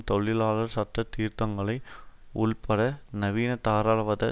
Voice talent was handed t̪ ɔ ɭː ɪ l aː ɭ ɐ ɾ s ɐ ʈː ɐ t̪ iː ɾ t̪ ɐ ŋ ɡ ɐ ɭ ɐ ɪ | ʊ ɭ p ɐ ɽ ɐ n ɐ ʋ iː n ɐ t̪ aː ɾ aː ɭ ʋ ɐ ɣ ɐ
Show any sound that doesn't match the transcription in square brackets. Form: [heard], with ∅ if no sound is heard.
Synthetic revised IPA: t̪ ɔ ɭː ɪ l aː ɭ ɐ ɾ s ɐ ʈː ɐ t̪ iː ɾ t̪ ɐ ŋ ɡ ɐ ɭ ɐ ɪ | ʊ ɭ p ɐ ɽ ɐ n ɐ ʋ iː n ɐ t̪ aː ɾ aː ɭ ʋ ɐ [ð] ɐ